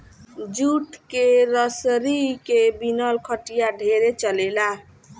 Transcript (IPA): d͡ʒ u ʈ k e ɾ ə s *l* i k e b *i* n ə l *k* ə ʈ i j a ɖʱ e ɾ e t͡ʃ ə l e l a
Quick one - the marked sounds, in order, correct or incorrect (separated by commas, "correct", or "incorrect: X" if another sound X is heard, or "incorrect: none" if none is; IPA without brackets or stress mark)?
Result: incorrect: ɾ, correct, incorrect: kʰ